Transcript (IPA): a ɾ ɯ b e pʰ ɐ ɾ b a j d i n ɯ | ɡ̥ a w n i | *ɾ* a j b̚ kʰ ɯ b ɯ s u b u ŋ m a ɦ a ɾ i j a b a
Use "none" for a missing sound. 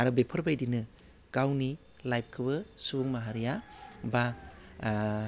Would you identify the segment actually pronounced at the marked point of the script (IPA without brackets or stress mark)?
l